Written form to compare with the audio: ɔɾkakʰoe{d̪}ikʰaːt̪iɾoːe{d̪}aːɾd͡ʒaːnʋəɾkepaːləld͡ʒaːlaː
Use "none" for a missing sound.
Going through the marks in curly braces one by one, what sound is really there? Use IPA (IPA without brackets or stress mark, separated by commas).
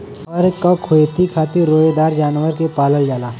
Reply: t̪, d̪